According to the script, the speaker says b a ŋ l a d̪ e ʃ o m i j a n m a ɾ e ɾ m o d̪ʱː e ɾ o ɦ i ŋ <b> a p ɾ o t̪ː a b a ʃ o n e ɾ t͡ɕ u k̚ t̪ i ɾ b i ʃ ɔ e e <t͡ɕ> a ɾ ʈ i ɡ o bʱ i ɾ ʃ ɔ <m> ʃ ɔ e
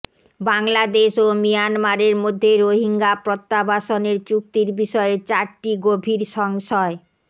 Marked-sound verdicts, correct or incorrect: incorrect: ɡ, correct, incorrect: ŋ

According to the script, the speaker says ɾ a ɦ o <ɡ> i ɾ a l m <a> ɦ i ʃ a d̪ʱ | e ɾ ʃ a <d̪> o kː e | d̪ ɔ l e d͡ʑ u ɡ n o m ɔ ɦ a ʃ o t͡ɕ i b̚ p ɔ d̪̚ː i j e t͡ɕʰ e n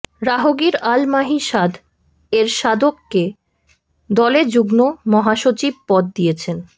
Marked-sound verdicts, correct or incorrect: correct, correct, correct

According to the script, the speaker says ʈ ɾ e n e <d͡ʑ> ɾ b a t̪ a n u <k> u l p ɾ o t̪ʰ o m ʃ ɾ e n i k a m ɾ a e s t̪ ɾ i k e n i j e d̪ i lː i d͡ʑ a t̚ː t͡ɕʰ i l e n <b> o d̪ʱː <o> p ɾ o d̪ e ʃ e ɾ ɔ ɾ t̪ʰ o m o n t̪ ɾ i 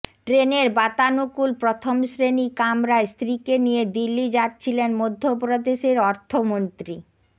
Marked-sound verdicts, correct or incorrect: incorrect: none, correct, incorrect: m, correct

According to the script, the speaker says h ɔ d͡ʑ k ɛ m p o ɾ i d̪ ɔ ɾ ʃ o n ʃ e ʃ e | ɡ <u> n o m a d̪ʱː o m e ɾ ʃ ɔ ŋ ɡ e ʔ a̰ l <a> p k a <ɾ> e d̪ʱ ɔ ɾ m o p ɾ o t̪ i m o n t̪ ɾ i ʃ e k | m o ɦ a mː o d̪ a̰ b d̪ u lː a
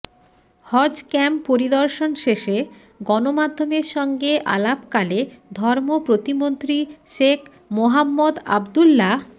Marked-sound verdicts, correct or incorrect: incorrect: ɔ, correct, incorrect: l

